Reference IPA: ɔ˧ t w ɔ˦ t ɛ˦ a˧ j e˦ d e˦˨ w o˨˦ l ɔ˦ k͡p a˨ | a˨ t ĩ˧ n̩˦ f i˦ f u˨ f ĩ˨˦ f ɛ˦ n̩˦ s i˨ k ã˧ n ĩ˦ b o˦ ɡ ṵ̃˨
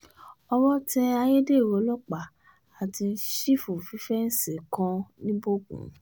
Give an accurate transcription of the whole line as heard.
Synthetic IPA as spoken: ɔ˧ w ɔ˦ t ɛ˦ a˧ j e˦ d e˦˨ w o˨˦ l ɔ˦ k͡p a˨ | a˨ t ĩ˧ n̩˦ ʃ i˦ f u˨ f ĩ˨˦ f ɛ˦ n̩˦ s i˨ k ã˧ n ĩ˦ b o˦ ɡ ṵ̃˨